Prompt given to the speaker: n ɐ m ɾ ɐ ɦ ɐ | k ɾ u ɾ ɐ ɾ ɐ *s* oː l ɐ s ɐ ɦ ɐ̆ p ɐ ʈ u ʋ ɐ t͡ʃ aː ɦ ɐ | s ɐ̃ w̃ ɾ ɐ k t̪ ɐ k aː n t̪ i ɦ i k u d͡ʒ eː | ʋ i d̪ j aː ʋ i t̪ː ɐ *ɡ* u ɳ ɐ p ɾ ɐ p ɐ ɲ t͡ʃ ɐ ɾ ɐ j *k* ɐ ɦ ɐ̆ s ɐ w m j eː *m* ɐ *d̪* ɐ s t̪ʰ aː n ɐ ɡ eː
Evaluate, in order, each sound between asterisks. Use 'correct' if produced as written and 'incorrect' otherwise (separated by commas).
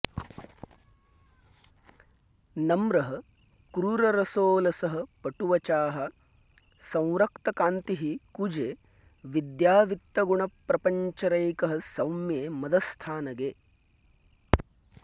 correct, correct, correct, correct, correct